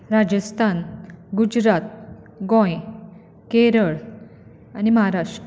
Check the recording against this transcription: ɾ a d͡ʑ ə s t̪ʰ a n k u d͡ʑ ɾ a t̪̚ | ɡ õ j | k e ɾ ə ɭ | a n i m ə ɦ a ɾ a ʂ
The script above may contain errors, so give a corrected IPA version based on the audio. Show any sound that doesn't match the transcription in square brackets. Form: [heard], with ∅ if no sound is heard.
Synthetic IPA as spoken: ɾ a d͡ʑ ə s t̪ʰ a n [ɡ] u d͡ʑ ɾ a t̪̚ | ɡ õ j | k e ɾ ə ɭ | a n i m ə ɦ a ɾ a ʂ